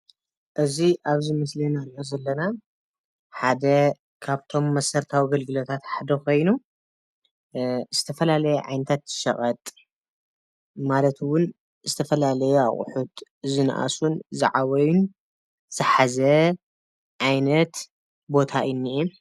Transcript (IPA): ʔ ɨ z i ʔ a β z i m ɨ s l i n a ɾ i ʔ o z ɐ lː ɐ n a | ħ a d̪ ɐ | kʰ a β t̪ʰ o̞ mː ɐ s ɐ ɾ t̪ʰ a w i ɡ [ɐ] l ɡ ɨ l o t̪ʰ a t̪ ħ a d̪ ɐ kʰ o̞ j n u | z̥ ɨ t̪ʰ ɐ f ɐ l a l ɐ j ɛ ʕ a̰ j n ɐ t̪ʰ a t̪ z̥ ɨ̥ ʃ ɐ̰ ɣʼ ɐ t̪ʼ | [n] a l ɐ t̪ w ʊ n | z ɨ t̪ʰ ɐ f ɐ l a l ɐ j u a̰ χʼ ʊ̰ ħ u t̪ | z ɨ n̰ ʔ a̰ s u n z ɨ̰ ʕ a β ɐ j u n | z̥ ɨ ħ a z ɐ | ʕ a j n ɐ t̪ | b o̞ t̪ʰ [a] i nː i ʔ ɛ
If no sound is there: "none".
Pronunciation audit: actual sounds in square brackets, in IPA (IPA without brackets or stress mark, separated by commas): ɐ, m, a